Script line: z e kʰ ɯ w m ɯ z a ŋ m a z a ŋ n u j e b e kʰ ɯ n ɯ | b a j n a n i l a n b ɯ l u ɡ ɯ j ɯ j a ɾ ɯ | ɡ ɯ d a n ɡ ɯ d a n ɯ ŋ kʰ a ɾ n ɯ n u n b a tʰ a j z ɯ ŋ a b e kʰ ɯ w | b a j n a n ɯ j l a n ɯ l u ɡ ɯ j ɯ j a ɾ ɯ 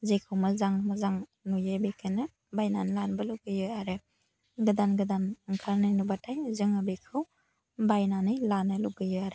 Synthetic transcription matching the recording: z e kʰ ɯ w m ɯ z a ŋ m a z a ŋ n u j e b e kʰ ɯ n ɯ | b a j n a n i l a n b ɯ l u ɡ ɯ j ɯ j a ɾ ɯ | ɡ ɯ d a n ɡ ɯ d a n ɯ ŋ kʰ a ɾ n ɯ n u b a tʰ a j z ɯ ŋ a b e kʰ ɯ w | b a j n a n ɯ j l a n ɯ l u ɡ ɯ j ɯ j a ɾ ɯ